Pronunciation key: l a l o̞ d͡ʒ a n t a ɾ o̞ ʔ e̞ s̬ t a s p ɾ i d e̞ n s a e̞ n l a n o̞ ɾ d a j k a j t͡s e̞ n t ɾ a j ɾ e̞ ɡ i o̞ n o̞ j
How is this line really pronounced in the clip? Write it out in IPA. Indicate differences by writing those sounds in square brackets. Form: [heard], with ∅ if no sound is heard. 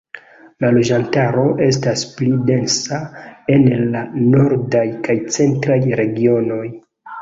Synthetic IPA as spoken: l a l o̞ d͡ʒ a n t a ɾ o̞ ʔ e̞ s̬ t a s p [l] i d e̞ n s a e̞ n l a n o̞ ɾ d a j k a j t͡s e̞ n t ɾ a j ɾ e̞ ɡ i o̞ n o̞ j